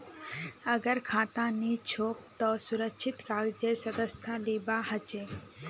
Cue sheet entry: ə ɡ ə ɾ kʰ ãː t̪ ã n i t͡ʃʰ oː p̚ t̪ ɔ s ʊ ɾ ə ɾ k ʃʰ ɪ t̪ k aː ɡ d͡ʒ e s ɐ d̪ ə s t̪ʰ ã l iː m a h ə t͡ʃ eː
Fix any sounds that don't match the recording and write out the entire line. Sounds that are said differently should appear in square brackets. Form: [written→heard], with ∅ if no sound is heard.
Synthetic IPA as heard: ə ɡ ə ɾ kʰ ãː t̪ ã n i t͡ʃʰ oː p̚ t̪ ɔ s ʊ ɾ ə [ɾ→∅] k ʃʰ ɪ t̪ k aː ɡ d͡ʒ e s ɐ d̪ ə s t̪ʰ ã l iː [m→b] a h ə t͡ʃ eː